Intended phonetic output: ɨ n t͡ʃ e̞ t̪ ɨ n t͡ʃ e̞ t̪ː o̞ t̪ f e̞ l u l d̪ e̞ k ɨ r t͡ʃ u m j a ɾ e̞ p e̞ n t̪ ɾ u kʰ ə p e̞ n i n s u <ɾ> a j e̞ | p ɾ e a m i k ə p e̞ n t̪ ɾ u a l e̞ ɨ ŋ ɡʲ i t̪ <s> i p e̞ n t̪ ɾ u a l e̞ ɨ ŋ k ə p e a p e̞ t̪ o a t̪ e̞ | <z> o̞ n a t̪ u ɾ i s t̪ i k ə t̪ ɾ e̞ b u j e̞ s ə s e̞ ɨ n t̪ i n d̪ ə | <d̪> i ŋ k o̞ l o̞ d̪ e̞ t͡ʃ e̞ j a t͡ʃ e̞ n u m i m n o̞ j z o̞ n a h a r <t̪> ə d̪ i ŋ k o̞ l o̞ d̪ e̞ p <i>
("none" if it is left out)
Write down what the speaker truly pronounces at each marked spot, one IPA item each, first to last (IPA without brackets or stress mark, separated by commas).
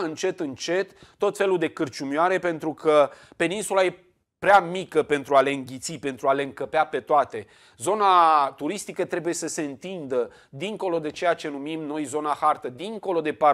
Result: l, s, z, d̪, t̪, a